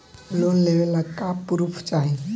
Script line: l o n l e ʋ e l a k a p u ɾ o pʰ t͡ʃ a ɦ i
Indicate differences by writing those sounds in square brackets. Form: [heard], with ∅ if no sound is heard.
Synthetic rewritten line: l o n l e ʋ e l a k a p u ɾ [u] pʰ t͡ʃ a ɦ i